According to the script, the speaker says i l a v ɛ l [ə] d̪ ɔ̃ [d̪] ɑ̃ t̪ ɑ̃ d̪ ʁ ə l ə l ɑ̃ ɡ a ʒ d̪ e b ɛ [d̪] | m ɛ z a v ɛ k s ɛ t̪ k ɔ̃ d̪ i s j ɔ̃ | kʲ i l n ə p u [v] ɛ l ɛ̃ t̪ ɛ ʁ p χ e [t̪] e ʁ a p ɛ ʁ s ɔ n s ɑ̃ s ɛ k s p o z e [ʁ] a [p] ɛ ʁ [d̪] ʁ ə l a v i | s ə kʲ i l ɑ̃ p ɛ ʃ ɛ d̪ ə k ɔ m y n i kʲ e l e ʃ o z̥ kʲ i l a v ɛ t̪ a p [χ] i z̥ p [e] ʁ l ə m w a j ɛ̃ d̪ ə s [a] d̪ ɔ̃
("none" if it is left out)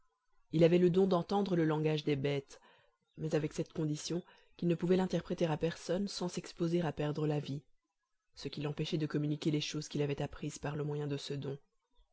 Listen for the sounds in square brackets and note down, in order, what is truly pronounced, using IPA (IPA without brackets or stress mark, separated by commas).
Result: ə, d̪, t̪, v, t̪, ʁ, p, d̪, χ, a, ə